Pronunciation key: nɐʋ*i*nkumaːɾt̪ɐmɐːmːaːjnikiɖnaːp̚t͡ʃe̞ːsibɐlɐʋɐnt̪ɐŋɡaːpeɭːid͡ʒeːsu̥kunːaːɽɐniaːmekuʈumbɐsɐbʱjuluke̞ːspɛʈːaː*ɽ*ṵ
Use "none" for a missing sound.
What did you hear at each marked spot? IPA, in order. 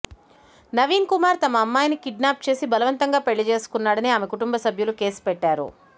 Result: iː, ɾ

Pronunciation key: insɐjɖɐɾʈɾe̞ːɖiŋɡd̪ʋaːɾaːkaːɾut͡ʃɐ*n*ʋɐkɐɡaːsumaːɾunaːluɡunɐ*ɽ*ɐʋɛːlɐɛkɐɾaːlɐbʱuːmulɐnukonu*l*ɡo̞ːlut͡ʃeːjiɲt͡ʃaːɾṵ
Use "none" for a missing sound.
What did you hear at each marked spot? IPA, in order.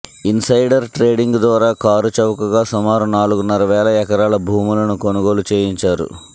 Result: none, ɾ, none

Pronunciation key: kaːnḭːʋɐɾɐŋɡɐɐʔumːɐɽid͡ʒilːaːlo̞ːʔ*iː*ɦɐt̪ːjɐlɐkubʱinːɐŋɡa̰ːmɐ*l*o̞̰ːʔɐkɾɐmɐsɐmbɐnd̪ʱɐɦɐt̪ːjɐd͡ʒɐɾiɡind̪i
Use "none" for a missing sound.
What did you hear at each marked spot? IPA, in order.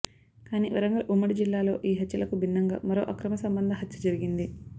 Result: iː, ɾ

